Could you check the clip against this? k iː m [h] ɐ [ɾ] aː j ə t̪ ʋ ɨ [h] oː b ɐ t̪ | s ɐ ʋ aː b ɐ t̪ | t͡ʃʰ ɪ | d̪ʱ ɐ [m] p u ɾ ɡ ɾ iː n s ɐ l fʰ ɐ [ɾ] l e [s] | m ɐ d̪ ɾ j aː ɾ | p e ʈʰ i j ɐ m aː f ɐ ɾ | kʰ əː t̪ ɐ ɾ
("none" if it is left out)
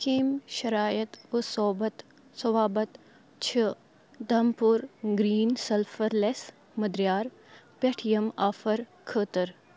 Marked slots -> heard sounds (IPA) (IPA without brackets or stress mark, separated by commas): ʃ, ɾ, s, m, ɾ, s